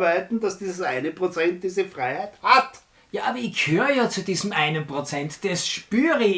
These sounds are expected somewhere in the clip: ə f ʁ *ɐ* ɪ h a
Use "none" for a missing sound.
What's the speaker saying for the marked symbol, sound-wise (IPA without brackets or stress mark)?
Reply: a